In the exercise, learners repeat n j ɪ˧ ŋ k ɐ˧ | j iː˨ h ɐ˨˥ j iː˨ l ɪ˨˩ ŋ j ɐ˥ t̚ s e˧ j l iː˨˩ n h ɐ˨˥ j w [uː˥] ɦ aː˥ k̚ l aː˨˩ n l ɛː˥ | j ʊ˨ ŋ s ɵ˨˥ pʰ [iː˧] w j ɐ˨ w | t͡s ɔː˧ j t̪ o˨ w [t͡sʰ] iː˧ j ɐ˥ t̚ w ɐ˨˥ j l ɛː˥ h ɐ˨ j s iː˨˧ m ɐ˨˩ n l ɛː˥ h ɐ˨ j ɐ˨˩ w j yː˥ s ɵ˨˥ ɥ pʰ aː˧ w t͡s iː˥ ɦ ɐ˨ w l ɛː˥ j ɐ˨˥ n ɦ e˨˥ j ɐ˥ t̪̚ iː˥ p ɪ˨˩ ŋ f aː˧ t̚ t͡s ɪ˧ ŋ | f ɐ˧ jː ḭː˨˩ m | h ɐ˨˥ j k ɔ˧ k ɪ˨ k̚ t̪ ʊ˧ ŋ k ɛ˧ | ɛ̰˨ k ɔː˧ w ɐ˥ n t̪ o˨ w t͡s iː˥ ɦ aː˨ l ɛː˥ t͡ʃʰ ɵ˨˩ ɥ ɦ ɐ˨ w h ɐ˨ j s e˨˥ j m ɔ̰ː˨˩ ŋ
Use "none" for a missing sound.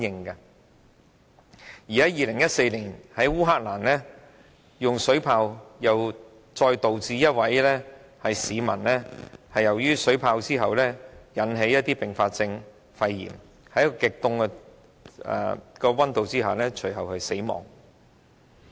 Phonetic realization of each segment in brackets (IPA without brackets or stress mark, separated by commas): uː˥, aː˧, t͡s